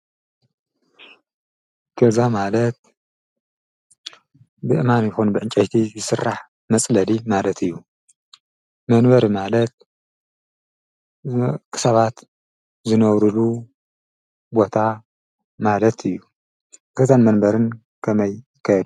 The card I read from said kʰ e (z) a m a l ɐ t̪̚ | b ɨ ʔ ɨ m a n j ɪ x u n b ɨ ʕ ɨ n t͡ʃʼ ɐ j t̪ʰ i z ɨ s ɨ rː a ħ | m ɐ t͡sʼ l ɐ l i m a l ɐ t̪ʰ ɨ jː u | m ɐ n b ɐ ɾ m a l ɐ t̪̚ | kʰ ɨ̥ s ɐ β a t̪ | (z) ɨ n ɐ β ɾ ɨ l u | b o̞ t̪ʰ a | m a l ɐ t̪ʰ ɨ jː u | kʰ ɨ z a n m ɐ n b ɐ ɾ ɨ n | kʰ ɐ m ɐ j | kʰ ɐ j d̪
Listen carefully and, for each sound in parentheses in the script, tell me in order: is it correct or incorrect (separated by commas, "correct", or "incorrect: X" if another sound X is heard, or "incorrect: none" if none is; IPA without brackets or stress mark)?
correct, correct